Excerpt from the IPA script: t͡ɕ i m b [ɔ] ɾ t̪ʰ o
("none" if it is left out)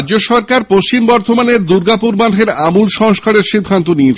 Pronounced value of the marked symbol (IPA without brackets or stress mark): ɔ